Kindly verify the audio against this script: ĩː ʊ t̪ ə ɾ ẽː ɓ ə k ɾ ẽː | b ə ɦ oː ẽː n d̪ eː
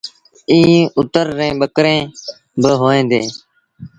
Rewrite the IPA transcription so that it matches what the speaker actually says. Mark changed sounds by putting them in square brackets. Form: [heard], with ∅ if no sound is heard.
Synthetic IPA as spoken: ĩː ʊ t̪ ə [ɾː] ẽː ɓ ə k ɾ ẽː | b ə ɦ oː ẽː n d̪ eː